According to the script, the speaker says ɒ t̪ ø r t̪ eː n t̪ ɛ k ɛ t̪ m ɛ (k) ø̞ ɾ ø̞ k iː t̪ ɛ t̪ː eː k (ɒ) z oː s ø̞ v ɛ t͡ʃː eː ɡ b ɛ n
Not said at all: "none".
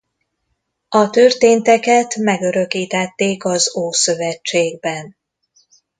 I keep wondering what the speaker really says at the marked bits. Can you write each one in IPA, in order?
ɡ, ɒ

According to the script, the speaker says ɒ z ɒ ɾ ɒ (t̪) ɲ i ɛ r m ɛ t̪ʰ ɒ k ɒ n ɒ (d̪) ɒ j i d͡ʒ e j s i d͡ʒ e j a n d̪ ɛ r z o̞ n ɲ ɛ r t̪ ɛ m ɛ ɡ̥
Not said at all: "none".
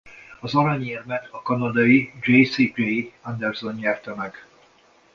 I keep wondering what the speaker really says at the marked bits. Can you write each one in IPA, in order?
none, d̪

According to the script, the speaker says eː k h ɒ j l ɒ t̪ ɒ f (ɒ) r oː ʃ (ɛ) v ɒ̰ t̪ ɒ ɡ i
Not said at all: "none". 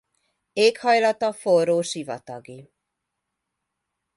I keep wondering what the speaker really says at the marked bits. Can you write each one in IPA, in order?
o, i

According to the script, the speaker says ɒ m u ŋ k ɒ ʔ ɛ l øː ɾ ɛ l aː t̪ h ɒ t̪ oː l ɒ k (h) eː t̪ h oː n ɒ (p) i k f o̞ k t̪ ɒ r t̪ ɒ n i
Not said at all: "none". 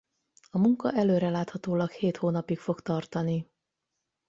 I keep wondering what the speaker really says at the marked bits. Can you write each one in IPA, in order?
h, p

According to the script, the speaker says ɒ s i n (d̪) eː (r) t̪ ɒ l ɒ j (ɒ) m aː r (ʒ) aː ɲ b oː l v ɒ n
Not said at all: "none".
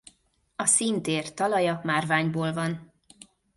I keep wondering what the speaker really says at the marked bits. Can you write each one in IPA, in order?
t̪, r, ɒ, v

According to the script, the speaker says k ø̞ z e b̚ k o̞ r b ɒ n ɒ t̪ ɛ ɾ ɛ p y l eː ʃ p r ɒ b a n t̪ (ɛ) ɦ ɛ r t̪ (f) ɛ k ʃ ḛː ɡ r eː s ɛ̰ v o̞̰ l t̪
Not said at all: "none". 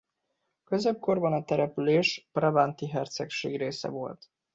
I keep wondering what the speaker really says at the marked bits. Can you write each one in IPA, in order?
i, s

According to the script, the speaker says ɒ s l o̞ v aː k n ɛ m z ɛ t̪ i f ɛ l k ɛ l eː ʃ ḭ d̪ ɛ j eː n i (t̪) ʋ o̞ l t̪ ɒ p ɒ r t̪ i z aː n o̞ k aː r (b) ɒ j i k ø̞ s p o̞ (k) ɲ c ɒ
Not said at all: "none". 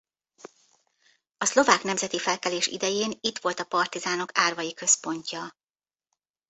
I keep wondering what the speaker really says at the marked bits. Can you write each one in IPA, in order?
t̪, v, none

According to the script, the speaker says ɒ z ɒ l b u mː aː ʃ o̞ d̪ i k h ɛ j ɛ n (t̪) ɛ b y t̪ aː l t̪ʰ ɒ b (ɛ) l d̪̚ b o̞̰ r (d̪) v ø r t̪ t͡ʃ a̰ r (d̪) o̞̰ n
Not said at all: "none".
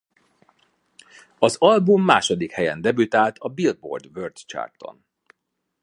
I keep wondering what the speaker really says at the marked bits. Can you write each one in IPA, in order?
d̪, i, d̪, t̪

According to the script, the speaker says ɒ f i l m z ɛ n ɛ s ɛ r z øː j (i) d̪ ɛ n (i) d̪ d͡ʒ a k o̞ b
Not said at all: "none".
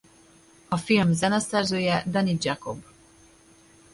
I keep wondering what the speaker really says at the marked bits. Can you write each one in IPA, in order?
ɛ, i

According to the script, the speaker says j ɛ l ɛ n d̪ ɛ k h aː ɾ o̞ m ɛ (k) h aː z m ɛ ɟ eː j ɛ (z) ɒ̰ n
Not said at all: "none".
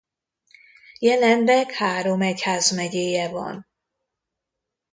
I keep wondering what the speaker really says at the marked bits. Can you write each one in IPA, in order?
c, v

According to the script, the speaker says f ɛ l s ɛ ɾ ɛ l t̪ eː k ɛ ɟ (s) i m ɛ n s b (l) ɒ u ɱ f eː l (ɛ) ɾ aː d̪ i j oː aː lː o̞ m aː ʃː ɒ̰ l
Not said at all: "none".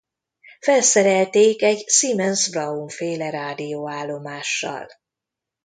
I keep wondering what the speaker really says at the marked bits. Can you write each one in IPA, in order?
s, r, ɛ

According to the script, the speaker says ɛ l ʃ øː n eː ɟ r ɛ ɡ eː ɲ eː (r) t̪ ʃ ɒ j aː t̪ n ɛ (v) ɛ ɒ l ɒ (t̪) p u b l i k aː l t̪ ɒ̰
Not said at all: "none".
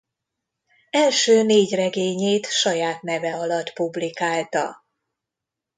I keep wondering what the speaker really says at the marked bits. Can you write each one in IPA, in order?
none, v, t̪

